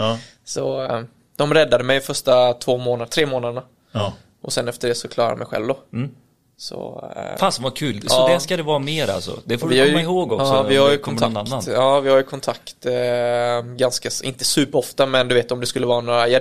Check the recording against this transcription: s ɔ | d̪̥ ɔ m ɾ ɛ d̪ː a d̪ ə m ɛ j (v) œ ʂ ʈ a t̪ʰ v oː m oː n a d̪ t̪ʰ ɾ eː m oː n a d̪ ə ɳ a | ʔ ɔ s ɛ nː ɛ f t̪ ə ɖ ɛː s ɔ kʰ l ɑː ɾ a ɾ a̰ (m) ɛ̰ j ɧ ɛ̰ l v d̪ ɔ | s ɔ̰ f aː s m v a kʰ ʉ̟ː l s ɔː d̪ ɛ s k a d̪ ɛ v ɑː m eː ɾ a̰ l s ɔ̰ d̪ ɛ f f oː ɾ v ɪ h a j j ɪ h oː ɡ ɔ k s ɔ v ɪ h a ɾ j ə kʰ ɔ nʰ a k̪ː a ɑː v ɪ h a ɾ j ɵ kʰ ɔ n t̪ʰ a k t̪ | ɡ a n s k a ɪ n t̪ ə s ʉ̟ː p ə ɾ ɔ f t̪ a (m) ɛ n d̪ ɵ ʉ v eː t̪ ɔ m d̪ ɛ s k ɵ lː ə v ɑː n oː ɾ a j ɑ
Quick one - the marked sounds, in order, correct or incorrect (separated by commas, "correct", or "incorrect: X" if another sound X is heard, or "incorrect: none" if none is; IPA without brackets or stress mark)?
incorrect: f, correct, correct